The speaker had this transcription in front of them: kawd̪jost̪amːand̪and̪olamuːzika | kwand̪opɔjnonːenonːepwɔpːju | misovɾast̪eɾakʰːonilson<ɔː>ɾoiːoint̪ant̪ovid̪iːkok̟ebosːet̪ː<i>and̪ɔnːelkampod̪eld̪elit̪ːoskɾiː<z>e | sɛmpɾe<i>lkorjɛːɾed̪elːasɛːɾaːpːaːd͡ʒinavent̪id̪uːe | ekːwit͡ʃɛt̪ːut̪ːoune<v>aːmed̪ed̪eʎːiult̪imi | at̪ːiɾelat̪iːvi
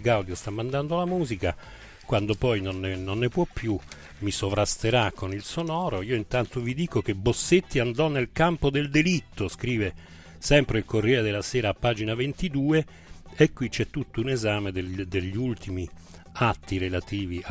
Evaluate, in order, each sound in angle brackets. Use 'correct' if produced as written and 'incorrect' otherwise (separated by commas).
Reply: correct, correct, incorrect, correct, incorrect